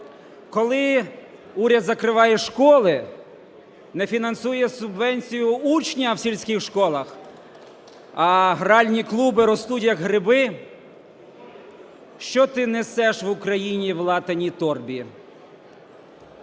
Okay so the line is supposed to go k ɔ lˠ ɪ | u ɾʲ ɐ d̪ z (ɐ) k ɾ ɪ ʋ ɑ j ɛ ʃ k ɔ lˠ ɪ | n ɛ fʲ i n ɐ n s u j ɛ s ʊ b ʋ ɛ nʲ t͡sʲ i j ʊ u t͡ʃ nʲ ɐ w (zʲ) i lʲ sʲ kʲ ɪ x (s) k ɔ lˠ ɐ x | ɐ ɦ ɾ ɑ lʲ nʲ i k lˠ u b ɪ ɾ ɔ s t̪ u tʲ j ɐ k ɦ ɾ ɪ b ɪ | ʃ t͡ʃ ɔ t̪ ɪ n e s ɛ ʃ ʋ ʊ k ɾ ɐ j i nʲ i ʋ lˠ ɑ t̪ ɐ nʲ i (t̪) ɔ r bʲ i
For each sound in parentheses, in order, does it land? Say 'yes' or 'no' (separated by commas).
yes, no, no, yes